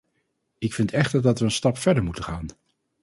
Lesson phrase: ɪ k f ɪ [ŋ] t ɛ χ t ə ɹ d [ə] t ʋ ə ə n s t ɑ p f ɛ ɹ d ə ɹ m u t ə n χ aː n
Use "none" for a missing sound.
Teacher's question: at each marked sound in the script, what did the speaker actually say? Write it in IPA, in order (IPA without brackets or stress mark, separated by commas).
n, ɑ